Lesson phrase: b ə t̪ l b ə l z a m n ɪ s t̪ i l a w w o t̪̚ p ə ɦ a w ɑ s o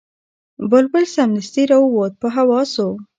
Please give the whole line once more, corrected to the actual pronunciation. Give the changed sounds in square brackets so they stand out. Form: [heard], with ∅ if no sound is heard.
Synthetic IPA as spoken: b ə [∅] l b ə l [s] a m n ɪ s t̪ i [ɾ] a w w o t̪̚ p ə ɦ a w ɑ s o